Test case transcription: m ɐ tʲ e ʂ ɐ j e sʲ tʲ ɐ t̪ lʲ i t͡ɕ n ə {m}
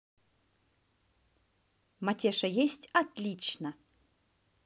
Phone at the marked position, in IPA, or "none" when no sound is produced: none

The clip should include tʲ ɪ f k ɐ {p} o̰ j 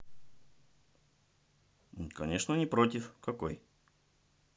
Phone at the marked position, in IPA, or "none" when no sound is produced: k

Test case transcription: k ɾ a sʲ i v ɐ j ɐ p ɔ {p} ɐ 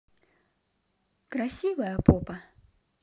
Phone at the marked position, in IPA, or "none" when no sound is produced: p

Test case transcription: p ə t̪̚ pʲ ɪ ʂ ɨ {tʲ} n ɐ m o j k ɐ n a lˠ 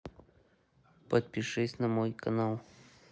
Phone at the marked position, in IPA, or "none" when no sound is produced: sʲ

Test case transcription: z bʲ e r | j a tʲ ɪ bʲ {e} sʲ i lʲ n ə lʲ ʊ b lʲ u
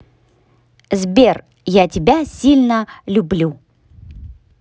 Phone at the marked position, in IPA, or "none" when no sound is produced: a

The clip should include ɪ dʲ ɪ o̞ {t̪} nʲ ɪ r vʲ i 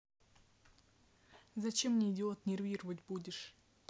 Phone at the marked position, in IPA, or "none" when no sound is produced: t̪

